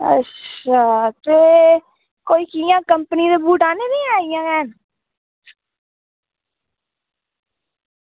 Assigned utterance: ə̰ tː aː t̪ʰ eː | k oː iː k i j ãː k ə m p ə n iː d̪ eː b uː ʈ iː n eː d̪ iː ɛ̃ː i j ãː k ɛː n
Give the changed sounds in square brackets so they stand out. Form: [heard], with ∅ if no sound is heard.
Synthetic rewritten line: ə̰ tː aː [t̪] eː | k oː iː k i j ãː k ə m p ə n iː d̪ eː b uː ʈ [aː] n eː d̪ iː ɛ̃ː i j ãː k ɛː n